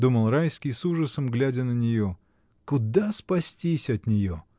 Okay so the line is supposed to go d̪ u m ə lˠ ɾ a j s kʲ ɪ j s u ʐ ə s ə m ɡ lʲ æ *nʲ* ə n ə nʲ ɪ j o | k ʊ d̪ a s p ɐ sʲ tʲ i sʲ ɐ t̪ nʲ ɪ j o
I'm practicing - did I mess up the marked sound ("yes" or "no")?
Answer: yes